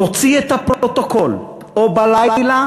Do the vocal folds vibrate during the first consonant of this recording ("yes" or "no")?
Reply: no